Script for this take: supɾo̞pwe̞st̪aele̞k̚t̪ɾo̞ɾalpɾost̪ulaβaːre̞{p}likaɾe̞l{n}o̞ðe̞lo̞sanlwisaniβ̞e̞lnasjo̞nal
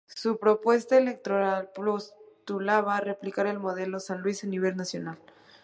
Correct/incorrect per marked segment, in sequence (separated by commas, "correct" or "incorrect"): correct, incorrect